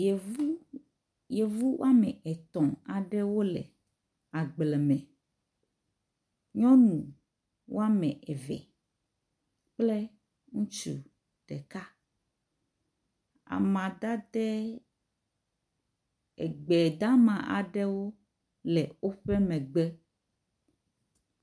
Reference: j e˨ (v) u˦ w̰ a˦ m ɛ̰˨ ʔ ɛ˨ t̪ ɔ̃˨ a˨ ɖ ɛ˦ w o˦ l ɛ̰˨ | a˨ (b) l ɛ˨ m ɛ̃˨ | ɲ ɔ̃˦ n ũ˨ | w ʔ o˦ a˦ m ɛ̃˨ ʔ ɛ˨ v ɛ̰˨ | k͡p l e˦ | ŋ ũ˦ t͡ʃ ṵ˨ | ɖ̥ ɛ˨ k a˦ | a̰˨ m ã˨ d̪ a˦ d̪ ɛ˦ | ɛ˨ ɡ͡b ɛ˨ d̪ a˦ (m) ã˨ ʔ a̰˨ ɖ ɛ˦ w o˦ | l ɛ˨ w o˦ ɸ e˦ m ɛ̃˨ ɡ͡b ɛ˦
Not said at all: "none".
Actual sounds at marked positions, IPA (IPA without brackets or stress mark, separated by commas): v, ɡ͡b, m